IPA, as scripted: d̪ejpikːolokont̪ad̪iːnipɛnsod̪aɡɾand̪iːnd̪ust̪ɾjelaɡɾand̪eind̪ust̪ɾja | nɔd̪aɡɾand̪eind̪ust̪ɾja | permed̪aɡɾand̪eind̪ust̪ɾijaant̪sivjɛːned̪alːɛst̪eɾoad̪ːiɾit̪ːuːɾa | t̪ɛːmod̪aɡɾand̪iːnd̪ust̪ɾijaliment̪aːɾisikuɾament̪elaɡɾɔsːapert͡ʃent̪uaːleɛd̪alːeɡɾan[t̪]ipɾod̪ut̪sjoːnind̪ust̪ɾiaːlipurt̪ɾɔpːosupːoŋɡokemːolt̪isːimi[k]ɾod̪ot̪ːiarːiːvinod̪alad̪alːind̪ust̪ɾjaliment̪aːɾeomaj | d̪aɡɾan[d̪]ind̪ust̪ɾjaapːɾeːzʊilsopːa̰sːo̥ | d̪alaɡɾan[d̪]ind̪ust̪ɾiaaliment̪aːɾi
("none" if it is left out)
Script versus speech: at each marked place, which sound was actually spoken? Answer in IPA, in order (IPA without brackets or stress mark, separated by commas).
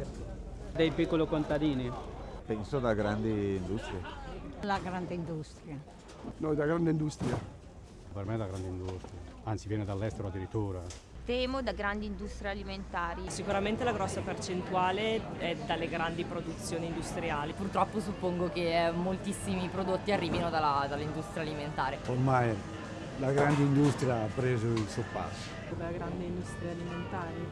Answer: d̪, p, d̪, d̪